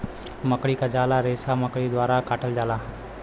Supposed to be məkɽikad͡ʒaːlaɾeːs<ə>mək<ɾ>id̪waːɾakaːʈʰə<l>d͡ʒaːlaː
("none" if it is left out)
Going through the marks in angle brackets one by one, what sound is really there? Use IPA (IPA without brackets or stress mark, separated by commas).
a, ɽ, l